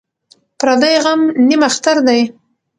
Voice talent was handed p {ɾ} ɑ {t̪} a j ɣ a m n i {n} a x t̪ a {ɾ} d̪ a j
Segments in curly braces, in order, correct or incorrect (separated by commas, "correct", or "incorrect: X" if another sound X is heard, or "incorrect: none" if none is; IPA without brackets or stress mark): correct, incorrect: d̪, incorrect: m, correct